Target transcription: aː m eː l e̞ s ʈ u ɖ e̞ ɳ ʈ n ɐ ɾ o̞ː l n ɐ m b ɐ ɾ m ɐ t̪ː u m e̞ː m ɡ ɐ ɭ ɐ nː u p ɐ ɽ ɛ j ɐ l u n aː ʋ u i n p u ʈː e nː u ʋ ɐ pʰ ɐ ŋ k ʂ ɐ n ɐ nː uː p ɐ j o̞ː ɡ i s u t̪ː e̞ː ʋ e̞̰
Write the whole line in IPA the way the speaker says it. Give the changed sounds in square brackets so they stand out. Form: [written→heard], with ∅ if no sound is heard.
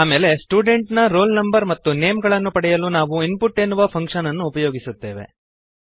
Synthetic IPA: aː m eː l e̞ s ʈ [u→uː] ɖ e̞ ɳ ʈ n ɐ ɾ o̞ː l n ɐ m b ɐ ɾ m ɐ t̪ː u [m→n] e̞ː m ɡ ɐ ɭ ɐ nː u p ɐ ɽ ɛ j ɐ l u n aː ʋ u i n p u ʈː e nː u ʋ ɐ pʰ ɐ ŋ k ʂ ɐ n ɐ nː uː p ɐ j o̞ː ɡ i s u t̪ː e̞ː ʋ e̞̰